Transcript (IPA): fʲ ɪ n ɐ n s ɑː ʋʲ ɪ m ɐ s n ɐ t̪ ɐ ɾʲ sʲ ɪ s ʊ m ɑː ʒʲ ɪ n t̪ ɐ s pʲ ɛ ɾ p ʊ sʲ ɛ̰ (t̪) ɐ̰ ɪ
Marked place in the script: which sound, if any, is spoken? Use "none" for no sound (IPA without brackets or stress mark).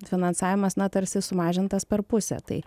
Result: t̪